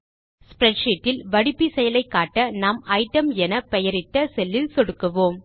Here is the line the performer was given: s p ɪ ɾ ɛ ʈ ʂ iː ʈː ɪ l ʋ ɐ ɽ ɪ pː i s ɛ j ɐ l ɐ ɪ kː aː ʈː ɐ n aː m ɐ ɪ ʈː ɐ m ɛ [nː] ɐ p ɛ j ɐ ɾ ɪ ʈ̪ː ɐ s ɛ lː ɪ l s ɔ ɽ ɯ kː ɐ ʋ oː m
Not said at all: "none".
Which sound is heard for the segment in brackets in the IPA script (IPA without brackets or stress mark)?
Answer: n